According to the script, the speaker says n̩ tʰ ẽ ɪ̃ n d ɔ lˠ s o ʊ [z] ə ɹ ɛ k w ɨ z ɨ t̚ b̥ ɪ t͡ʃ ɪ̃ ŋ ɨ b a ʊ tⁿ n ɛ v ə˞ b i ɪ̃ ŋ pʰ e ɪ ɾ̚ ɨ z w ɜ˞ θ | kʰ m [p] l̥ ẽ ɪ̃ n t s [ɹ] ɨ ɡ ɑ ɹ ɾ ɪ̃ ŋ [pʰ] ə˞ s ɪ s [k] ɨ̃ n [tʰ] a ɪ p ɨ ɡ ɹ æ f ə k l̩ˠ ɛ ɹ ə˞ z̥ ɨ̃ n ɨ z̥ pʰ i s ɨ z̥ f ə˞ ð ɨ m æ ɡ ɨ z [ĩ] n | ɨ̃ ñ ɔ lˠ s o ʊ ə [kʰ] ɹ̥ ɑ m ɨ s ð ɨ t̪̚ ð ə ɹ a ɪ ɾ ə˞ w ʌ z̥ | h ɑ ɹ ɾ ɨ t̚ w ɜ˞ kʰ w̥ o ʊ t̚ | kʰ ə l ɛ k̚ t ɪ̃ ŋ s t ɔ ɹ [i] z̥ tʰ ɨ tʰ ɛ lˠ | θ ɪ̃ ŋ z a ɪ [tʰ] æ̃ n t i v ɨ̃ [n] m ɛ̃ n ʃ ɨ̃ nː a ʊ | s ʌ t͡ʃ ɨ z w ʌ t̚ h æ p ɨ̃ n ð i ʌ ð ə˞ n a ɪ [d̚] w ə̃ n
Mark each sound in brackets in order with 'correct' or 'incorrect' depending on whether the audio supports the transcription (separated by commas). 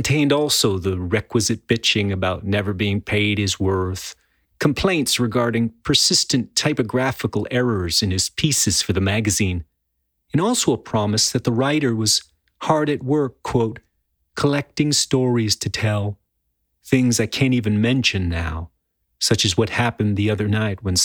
incorrect, incorrect, correct, correct, incorrect, correct, correct, incorrect, correct, incorrect, correct, incorrect